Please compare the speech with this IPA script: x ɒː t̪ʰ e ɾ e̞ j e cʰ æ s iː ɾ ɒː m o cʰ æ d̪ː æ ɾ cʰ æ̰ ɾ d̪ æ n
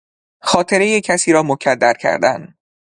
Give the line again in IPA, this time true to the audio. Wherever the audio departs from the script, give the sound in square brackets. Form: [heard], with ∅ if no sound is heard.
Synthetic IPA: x ɒː t̪ʰ e ɾ e̞ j e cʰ æ s iː ɾ ɒː m o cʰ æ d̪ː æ ɾ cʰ æ̰ ɾ d̪ æ n